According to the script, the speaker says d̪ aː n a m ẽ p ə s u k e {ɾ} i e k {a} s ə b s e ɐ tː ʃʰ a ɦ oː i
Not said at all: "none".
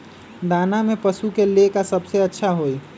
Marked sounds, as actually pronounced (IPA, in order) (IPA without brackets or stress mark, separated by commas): l, a